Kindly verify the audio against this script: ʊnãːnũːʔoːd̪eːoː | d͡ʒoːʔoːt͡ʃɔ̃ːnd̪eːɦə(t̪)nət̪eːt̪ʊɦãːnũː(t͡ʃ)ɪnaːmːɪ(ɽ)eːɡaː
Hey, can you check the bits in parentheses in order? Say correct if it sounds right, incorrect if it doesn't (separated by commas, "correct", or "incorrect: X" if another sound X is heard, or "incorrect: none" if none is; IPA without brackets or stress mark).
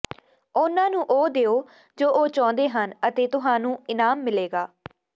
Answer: incorrect: none, incorrect: none, incorrect: l